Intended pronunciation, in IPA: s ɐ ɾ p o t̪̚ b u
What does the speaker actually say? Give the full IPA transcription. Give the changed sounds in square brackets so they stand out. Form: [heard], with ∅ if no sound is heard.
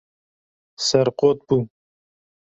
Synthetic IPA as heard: s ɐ ɾ [q] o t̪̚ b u